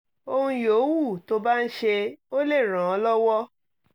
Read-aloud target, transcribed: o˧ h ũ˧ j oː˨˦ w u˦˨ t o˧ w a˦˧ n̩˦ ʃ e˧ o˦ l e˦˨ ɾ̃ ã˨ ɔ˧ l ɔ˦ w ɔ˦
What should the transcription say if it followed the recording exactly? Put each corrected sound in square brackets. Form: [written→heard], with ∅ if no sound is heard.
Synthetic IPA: o˧ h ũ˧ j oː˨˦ w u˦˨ t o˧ [w→b] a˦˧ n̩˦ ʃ e˧ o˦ l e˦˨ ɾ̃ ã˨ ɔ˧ l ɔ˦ w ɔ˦